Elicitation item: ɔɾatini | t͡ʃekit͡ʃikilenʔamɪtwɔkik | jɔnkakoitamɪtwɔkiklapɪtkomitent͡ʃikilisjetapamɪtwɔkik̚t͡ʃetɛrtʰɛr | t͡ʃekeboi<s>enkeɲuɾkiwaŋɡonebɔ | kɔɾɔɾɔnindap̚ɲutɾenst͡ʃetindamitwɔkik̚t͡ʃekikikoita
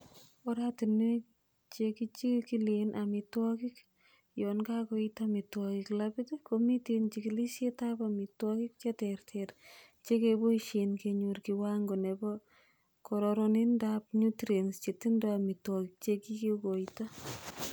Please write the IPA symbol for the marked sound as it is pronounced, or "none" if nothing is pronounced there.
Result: ʃ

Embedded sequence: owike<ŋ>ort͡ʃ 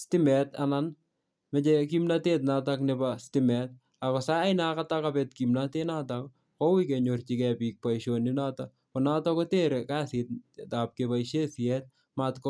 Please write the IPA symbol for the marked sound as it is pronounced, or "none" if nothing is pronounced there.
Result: ɲ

